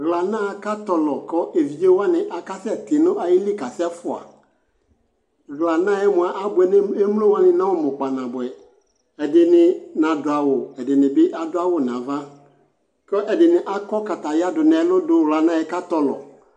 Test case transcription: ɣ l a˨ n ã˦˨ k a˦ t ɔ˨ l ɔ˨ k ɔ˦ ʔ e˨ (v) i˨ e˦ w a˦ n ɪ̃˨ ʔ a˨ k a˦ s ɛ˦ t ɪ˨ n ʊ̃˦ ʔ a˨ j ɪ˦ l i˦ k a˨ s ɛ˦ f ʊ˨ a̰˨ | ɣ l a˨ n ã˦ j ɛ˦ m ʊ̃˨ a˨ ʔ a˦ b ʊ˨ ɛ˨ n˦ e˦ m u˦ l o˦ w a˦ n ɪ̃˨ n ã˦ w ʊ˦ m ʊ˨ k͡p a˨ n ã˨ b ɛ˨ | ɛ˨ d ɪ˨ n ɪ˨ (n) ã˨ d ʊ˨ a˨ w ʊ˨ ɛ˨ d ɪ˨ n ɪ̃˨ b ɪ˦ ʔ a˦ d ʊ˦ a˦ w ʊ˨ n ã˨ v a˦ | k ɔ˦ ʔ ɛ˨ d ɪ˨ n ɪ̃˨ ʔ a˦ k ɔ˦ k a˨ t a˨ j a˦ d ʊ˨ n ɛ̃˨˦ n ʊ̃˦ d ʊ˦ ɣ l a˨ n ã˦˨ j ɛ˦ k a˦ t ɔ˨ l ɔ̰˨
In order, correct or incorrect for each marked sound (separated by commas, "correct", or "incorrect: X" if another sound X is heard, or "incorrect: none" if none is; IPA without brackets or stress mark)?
correct, correct